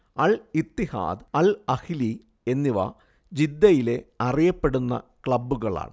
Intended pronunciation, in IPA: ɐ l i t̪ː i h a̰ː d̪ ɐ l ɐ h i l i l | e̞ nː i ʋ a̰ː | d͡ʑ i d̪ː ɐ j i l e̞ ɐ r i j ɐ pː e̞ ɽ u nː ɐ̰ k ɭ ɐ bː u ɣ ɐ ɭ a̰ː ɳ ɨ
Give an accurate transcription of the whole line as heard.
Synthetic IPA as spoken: ɐ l i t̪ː i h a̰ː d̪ ɐ l ɐ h i l i | e̞ nː i ʋ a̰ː | d͡ʑ i d̪ː ɐ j i l e̞ ɐ r i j ɐ pː e̞ ɽ u nː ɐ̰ k ɭ ɐ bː u ɣ ɐ ɭ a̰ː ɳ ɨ